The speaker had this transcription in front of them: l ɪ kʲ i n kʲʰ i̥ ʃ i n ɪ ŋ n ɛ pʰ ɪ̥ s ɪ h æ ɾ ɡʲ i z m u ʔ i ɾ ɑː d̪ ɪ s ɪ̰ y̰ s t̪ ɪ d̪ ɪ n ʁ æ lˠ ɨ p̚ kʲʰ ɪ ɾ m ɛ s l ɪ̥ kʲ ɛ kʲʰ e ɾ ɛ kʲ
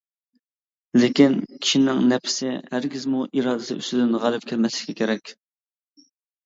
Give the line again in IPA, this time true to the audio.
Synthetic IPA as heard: l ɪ kʲ i n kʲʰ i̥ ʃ i n ɪ ŋ n ɛ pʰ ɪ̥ s ɪ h æ ɾ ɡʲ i z m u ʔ i ɾ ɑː d̪ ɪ s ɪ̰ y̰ s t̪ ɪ d̪ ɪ n ʁ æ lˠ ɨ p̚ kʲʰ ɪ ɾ m ɛ s l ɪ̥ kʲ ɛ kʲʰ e ɾ ɛ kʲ